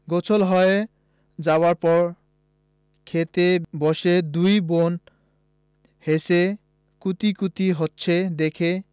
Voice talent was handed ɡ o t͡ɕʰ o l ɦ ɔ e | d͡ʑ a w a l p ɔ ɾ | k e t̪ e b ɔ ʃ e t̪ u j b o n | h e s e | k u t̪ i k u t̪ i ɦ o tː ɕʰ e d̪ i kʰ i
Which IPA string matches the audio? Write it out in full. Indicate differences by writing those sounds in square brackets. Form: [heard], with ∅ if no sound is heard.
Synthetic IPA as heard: ɡ o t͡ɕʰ o l ɦ ɔ e | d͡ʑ a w a [ɾ] p ɔ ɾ | [kʰ] e t̪ e b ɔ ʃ e [d̪] u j b o n | h e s e | k u t̪ i k u t̪ i ɦ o tː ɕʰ e d̪ [e] kʰ [e]